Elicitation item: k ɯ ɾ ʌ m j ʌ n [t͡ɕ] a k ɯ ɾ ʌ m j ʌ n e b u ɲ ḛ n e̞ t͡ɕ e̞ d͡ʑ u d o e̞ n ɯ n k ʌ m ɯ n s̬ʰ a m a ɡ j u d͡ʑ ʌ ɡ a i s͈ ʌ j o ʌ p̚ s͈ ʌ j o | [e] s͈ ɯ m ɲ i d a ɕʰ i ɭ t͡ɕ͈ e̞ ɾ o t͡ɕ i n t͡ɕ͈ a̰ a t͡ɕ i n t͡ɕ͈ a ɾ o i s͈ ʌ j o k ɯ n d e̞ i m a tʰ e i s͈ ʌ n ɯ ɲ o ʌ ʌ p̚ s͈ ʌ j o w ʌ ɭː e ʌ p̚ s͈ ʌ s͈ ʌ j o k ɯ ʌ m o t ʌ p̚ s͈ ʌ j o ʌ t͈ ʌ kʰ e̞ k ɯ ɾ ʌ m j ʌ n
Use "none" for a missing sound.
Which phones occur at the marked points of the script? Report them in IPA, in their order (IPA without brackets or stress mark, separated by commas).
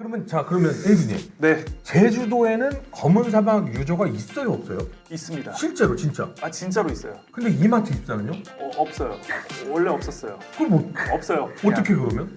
t͡ɕ, i